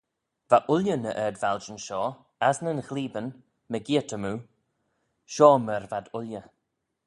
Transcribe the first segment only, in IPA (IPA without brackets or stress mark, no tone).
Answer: v